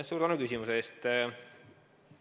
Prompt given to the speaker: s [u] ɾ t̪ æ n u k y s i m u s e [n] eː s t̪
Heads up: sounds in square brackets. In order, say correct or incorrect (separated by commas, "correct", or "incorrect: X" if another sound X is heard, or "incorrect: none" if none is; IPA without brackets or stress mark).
incorrect: uː, incorrect: none